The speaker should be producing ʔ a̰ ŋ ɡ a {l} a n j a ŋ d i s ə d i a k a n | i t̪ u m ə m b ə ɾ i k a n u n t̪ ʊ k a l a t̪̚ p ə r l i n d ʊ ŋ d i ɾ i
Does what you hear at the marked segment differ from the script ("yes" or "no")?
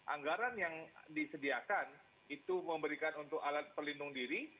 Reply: yes